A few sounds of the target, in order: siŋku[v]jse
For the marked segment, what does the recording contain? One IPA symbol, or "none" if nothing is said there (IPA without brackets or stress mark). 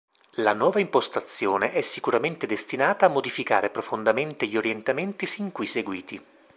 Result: none